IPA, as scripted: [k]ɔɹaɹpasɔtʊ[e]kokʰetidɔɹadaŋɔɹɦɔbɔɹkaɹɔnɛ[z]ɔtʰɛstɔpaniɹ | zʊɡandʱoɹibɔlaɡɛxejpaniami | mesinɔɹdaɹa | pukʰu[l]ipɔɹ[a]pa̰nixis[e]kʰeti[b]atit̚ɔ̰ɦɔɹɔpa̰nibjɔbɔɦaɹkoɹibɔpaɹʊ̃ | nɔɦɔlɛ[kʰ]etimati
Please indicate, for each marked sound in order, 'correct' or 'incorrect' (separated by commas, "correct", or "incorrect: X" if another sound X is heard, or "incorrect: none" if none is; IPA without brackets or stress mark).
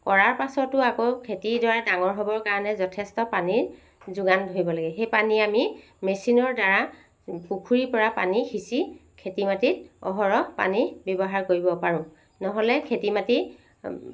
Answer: correct, incorrect: a, correct, incorrect: ɹ, correct, incorrect: i, incorrect: m, correct